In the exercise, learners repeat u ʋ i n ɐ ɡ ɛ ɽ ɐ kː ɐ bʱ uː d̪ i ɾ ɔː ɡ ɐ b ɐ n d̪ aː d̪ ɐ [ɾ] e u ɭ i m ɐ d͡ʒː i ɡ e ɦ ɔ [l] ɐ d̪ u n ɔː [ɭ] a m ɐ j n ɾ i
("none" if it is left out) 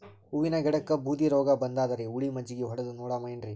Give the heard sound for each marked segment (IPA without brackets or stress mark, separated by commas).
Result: ɾ, ɽ, ɽ